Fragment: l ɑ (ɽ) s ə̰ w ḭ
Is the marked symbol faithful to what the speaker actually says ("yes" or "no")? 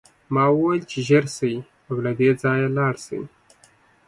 yes